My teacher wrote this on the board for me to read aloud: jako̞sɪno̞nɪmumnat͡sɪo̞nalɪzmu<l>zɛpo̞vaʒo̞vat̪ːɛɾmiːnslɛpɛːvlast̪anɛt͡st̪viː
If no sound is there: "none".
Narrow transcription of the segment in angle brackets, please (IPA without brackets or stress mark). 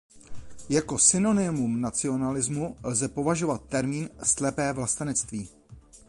l